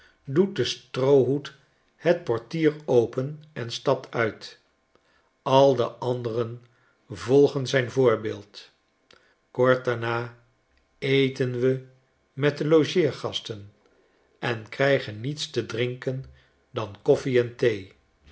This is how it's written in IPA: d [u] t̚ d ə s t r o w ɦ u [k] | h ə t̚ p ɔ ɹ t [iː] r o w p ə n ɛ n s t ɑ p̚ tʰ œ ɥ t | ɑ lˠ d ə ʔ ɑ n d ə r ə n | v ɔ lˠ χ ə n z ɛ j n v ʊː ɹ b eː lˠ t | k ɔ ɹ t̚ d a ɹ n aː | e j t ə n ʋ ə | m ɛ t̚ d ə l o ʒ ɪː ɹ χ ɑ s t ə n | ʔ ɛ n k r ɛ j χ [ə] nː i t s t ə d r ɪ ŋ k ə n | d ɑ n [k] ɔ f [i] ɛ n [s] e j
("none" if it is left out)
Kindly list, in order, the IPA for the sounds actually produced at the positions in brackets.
u, t, iː, ə, k, i, t

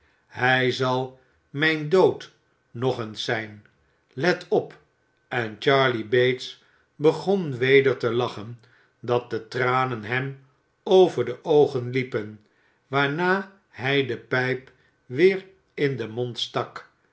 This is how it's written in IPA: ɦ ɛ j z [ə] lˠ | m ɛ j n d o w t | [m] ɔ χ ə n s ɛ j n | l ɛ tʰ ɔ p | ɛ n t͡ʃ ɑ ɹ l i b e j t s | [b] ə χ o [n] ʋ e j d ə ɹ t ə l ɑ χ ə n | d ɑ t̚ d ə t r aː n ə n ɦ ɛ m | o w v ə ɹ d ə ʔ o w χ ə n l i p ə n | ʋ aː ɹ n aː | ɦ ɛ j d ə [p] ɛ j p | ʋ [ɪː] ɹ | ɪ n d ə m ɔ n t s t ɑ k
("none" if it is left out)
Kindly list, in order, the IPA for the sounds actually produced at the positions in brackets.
ɑ, n, b, n, p, ɪː

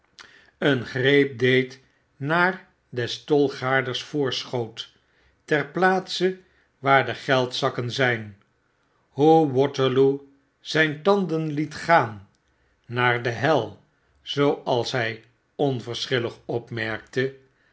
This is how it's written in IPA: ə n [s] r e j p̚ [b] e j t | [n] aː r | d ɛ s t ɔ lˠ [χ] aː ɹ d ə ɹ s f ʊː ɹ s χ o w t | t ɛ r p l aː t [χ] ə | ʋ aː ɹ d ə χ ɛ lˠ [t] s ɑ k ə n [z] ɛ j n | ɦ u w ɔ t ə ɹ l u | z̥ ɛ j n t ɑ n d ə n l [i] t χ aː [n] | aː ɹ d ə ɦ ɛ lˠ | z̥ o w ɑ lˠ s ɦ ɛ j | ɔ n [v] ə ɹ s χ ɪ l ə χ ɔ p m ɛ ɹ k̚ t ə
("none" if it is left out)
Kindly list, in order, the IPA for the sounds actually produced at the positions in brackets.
χ, d, n, χ, s, t, z, i, nː, v

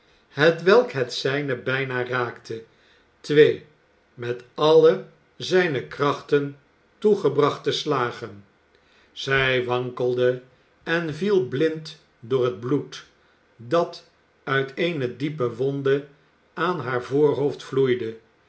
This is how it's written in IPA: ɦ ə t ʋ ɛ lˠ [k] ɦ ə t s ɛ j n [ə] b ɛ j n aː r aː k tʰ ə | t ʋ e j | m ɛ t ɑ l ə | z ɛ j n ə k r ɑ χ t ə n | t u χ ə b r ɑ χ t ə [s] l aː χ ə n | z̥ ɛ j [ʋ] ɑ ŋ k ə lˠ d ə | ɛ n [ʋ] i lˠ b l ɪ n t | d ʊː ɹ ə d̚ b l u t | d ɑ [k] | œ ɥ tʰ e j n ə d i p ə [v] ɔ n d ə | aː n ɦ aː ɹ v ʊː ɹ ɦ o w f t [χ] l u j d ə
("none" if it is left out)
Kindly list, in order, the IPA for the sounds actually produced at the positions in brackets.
k, ə, s, ʋ, v, t, ʋ, f

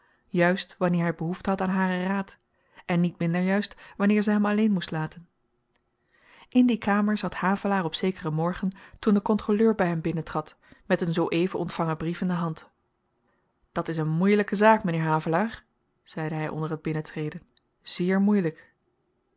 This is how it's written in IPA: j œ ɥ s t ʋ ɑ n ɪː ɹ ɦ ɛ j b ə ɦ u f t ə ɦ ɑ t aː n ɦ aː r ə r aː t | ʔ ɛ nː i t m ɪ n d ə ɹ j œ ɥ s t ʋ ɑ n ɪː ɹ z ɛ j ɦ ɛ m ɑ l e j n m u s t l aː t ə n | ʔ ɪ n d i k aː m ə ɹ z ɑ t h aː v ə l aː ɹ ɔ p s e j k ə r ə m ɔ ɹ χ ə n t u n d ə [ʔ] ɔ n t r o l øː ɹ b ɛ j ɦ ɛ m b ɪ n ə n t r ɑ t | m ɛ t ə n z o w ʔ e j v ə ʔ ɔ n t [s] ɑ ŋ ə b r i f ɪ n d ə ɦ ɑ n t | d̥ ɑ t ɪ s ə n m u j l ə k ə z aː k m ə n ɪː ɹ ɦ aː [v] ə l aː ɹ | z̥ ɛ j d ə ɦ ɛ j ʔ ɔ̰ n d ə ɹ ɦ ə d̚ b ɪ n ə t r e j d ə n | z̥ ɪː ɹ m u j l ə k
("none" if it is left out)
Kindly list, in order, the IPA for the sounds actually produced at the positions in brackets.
k, f, v

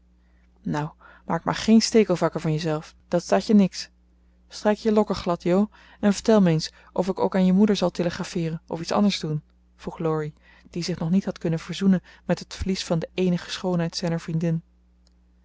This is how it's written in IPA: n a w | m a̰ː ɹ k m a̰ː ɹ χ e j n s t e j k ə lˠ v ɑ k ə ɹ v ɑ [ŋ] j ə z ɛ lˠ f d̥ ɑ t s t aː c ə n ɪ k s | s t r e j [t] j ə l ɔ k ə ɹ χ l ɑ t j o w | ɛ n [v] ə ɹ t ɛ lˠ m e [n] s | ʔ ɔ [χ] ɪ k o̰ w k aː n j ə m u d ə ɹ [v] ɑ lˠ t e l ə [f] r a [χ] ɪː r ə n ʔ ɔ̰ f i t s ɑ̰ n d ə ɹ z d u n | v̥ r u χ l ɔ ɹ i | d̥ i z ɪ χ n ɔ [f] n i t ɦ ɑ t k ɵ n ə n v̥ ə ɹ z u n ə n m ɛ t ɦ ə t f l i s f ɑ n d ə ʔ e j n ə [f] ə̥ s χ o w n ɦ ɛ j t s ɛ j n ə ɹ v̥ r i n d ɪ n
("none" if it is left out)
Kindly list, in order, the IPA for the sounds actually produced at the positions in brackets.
n, k, v, n, f, z, χ, f, χ, χ

